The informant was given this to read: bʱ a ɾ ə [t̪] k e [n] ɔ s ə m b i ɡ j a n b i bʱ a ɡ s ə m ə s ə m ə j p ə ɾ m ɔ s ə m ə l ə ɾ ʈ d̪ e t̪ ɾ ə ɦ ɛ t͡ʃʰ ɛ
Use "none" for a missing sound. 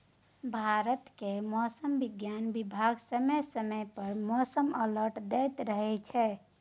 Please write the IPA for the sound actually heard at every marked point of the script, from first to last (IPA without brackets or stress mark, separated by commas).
t̪, m